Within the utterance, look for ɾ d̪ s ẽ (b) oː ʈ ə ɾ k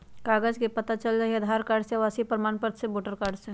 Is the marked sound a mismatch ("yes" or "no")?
no